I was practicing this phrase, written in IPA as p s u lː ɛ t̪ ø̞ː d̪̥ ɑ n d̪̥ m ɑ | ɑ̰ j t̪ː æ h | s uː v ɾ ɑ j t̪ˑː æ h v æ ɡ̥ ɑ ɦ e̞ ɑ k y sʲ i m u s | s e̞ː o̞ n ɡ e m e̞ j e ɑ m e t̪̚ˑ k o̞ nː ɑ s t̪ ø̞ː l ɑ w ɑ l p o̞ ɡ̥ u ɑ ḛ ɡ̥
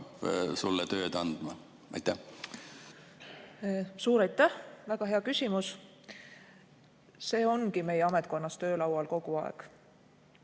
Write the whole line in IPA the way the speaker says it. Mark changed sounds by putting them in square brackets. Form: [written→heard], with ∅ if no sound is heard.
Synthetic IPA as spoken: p s u lː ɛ t̪ ø̞ː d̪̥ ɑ n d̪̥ m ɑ | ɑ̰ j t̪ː æ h | s uː [v→∅] ɾ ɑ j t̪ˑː æ h v æ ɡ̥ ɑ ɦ e̞ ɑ k y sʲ i m u s | s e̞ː o̞ n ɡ [e→i] m e̞ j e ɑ m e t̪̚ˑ k o̞ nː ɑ s t̪ ø̞ː l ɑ w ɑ l [p→k] o̞ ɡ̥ u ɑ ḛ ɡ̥